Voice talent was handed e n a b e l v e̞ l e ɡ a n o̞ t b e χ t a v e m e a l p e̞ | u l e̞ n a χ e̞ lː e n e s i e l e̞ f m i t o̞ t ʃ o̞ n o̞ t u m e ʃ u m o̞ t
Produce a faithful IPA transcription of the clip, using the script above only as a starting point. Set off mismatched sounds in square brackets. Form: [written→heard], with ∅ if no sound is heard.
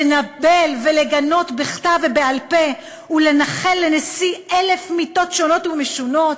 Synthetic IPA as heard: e n a b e l v e̞ l e ɡ a n o̞ t b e χ t a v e [m→b] e a l p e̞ | u l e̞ n a χ e̞ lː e n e s i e l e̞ f m i t o̞ t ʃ o̞ n o̞ t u m e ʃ u [m→n] o̞ t